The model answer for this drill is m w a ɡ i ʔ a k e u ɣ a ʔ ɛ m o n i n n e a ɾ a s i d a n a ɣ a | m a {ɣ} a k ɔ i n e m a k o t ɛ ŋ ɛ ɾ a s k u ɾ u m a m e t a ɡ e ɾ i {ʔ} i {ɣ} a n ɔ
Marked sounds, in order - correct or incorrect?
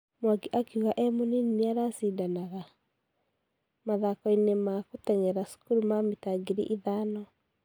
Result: incorrect: ð, correct, incorrect: ð

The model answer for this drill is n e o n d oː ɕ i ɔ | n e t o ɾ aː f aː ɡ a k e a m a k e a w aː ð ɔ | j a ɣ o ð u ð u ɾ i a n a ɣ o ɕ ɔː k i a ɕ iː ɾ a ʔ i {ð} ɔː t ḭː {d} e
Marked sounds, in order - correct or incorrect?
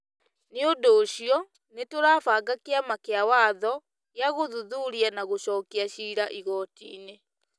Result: incorrect: ɣ, incorrect: n

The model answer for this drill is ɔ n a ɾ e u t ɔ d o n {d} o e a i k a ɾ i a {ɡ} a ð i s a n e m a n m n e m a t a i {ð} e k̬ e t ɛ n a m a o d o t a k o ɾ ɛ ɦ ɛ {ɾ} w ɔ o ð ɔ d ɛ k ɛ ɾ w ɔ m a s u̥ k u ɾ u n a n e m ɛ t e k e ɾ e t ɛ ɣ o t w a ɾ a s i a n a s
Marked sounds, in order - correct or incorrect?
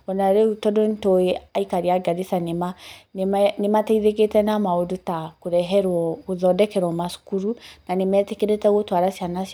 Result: incorrect: t, correct, correct, correct

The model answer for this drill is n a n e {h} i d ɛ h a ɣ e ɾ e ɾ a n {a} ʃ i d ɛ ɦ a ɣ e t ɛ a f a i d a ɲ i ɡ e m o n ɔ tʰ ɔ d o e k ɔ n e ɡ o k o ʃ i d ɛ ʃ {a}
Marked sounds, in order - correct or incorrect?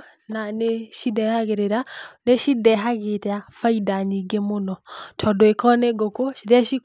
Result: incorrect: ʃ, incorrect: e, incorrect: i

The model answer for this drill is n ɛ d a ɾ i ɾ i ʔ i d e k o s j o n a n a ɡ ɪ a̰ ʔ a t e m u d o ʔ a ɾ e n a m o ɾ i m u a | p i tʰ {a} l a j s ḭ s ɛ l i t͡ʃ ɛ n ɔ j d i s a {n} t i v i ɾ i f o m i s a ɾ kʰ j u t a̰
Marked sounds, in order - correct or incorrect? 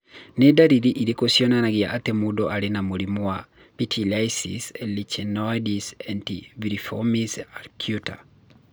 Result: incorrect: i, correct

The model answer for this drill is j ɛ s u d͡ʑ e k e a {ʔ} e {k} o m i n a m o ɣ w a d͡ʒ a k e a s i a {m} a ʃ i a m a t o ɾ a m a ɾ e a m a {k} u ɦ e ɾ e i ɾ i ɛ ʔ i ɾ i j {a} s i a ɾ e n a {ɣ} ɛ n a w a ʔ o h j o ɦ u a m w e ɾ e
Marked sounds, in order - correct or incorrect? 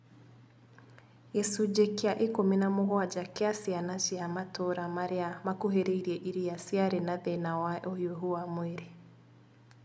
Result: correct, correct, incorrect: n, correct, correct, incorrect: ð

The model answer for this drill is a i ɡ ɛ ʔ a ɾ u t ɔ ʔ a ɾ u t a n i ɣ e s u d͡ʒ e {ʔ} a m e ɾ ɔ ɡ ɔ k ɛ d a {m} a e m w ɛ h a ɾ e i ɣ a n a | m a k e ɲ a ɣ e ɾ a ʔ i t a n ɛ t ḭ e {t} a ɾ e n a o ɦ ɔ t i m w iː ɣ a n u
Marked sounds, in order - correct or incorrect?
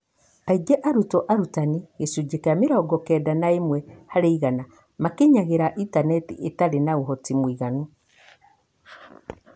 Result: incorrect: k, incorrect: n, correct

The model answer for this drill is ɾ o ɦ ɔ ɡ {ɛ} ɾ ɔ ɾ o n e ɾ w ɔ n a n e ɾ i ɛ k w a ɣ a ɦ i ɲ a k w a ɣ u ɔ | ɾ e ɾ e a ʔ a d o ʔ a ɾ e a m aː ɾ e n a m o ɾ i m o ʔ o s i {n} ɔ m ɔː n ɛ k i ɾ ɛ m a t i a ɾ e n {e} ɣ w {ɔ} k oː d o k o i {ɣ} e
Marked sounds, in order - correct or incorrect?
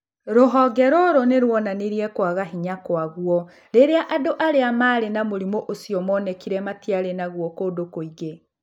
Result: correct, incorrect: none, incorrect: a, correct, correct

